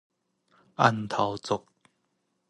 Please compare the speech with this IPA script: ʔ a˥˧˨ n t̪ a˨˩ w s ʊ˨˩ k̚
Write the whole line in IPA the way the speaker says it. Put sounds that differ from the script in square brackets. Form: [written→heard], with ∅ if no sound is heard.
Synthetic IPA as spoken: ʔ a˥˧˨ n [t̪→t̪ʰ] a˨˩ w [s→t͡s] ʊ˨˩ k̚